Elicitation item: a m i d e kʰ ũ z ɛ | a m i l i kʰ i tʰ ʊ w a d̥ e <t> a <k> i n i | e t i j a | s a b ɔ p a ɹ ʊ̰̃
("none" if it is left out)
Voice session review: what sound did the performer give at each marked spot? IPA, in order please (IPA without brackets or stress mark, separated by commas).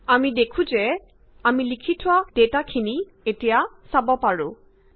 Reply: t, kʰ